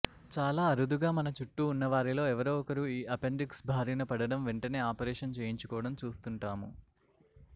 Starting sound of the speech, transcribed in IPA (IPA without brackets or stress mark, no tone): t͡ʃ